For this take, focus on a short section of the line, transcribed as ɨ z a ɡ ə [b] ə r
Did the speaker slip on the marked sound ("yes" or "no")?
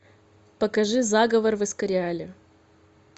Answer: yes